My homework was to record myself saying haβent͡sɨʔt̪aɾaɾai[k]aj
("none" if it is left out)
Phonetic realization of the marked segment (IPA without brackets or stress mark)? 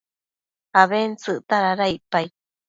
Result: p